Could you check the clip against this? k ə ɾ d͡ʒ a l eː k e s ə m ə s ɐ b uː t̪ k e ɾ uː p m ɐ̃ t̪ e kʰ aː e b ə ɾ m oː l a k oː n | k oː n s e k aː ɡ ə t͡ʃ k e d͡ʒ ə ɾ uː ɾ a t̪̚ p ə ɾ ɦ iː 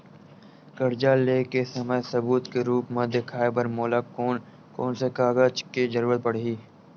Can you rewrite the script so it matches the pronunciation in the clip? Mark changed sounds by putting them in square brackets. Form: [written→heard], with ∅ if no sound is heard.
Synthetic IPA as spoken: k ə ɾ d͡ʒ a l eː k e s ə m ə s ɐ b uː t̪ k e ɾ uː p m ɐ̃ [t̪→d̪] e kʰ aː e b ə ɾ m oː l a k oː n | k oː n s e k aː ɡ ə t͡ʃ k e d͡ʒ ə ɾ uː ɾ [a→ə] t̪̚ p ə [ɾ→ɽ] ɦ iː